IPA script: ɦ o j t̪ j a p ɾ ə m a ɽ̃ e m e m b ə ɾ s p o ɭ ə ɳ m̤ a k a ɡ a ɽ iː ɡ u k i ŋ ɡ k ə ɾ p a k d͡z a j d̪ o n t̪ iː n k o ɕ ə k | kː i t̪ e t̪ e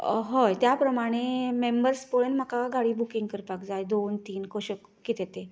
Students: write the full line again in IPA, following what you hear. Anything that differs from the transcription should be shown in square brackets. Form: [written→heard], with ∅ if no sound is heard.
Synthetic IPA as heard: ɦ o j t̪ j a p ɾ ə m a ɽ̃ e m e m b ə ɾ s p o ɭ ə [ɳ→n] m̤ a k a ɡ a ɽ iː [ɡ→b] u k i ŋ ɡ k ə ɾ p a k d͡z a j d̪ o n t̪ iː n k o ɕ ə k | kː i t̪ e t̪ e

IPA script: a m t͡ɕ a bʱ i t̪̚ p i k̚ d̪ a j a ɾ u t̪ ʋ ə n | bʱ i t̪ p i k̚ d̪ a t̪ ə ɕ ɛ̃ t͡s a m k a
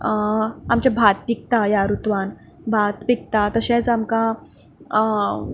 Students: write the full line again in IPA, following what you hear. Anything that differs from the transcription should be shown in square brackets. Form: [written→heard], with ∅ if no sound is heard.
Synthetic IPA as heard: a m t͡ɕ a bʱ [i→a] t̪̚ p i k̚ [d̪→t̪] a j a ɾ u t̪ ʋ [ə→a] n | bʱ [i→a] t̪ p i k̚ [d̪→t̪] a t̪ ə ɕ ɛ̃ t͡s a m k a

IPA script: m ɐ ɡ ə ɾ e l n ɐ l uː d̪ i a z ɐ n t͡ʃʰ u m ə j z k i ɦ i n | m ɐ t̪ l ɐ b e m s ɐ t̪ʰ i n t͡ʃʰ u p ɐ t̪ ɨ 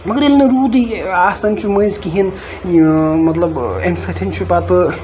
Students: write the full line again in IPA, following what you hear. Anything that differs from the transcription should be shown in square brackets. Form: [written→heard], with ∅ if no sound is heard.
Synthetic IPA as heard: m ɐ ɡ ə ɾ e l n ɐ [l→ɾ] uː d̪ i a [z→s] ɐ n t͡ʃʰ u m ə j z k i ɦ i n | m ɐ t̪ l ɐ b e m s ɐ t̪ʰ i n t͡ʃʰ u p [ɐ→a] t̪ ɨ

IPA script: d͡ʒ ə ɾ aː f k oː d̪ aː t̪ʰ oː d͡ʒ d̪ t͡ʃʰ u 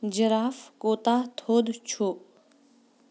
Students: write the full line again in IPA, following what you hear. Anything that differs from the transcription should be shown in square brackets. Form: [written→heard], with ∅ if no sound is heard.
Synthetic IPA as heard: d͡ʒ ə ɾ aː f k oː [d̪→t̪] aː t̪ʰ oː [d͡ʒ→∅] d̪ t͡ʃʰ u

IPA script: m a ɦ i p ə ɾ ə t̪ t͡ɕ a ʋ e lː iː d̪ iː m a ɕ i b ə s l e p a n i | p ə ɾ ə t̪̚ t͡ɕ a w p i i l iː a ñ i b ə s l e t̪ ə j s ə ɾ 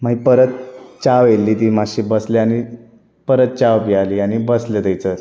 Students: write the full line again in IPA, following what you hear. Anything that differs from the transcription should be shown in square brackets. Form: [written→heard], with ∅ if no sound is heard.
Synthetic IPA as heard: m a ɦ i p ə ɾ ə t̪ t͡ɕ a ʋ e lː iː [d̪→t̪] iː m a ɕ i b ə s l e [p→∅] a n i | p ə ɾ ə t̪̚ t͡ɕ a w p i [i→a] l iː a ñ i b ə s l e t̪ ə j [s→t͡s] ə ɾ

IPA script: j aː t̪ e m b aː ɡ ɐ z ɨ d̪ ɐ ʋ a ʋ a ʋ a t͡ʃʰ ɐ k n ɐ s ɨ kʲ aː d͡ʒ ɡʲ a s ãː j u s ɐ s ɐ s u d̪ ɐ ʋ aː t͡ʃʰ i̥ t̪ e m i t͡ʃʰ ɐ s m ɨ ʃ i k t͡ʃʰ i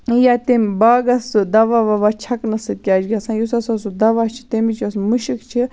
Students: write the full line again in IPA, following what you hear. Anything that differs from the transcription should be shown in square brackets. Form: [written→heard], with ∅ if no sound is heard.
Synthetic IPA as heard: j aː t̪ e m b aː ɡ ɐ [z→s] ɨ d̪ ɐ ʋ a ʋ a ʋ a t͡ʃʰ ɐ k n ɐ s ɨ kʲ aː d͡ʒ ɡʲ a s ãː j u s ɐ s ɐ s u d̪ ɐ ʋ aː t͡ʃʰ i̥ t̪ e m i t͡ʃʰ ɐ s m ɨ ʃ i k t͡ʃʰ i

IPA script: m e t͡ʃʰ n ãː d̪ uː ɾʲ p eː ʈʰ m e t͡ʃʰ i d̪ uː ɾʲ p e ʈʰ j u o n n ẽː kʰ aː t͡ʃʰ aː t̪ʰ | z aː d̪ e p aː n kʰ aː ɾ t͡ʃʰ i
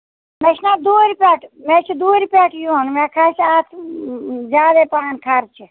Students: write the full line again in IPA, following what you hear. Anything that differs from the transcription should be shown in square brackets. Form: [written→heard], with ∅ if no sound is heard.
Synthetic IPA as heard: m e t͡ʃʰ n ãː d̪ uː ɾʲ p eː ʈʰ m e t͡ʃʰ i d̪ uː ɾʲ p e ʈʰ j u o n [n→m] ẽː kʰ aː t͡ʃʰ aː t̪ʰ | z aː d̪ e p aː n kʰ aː ɾ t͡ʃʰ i

